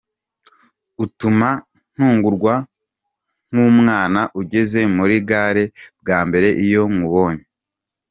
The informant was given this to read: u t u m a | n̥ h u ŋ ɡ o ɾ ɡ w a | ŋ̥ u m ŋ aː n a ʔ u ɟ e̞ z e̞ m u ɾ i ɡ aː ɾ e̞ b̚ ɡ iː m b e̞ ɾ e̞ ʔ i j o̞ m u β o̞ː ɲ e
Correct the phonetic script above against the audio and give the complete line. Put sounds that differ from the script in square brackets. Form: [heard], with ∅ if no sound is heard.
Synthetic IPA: u t u m a | n̥ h [uː] ŋ ɡ [u] ɾ ɡ w a | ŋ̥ u m ŋ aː n a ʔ u ɟ e̞ z e̞ m u ɾ i ɡ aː ɾ e̞ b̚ ɡ [aː] m b e̞ ɾ e̞ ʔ i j o̞ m u β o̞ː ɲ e